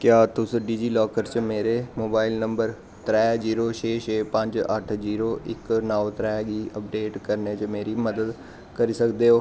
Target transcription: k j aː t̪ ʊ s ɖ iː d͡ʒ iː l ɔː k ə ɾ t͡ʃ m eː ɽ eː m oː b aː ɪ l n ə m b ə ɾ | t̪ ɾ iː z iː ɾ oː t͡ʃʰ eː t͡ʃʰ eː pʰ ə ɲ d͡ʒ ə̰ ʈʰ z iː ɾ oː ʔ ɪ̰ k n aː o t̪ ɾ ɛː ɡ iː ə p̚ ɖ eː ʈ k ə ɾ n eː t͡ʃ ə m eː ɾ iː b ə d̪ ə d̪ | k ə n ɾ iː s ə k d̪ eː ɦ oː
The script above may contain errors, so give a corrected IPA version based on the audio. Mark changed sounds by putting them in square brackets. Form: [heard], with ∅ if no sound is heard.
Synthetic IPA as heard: k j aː t̪ ʊ s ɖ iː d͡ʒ iː l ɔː k ə ɾ t͡ʃ m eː [ɾ] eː m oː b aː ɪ l n ə m b ə ɾ | t̪ ɾ [ɛː] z iː ɾ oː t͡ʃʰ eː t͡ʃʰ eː [p] ə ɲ d͡ʒ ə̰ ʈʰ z iː ɾ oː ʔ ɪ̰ k n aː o t̪ ɾ ɛː ɡ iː ə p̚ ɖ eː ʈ k ə ɾ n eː t͡ʃ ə m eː ɾ iː [m] ə d̪ ə d̪ | k ə [∅] ɾ iː s ə k d̪ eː ɦ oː

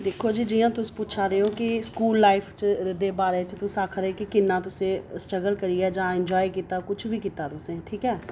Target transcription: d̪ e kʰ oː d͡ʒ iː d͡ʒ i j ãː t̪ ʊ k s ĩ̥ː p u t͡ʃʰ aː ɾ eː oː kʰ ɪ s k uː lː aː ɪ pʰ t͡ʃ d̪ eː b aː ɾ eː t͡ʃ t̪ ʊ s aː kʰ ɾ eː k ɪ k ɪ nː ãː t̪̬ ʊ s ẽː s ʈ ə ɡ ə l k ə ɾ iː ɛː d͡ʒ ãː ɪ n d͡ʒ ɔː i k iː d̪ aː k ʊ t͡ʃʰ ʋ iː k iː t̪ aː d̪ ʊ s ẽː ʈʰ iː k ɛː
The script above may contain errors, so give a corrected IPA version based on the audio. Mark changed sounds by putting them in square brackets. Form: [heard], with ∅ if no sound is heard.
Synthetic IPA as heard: d̪ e kʰ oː d͡ʒ iː d͡ʒ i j ãː t̪ ʊ [∅] s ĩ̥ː p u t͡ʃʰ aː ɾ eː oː [k] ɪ s k uː lː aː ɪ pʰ t͡ʃ d̪ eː b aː ɾ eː t͡ʃ t̪ ʊ s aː kʰ ɾ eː k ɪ k ɪ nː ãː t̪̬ ʊ s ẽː s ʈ ə ɡ ə l k ə ɾ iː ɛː d͡ʒ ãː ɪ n d͡ʒ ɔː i k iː [t̪] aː k ʊ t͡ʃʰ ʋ iː k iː t̪ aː [t̪] ʊ s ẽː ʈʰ iː k ɛː

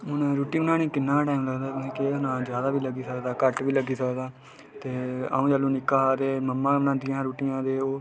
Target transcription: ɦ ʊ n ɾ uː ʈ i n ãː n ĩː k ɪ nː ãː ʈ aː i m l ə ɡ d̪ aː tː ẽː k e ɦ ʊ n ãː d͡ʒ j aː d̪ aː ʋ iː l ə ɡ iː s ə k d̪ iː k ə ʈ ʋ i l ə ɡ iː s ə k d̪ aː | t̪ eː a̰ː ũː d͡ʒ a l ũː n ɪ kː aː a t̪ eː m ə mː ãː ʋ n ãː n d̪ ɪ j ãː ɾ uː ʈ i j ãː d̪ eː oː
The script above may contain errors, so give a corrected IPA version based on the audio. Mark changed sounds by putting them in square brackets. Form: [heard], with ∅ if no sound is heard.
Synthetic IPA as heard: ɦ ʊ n ɾ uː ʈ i n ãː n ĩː k ɪ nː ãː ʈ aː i m l ə ɡ d̪ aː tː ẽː k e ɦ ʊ n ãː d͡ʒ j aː d̪ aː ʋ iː l ə ɡ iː s ə k d̪ [aː] k ə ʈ ʋ [iː] l ə ɡ iː s ə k d̪ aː | t̪ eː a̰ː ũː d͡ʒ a l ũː n ɪ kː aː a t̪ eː m ə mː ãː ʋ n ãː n d̪ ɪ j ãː ɾ uː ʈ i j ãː d̪ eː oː

